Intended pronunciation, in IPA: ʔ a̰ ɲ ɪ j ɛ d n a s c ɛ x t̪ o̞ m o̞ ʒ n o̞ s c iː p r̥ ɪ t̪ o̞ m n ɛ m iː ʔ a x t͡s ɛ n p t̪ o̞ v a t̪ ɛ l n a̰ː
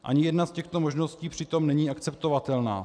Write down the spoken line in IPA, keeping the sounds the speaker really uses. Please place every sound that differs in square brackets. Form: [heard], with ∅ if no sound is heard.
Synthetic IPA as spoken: ʔ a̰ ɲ ɪ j ɛ d n a s c ɛ x t̪ o̞ m o̞ ʒ n o̞ s c iː p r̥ ɪ t̪ o̞ m n ɛ [ɲ] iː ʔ a [k] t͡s ɛ [∅] p t̪ o̞ v a t̪ ɛ l n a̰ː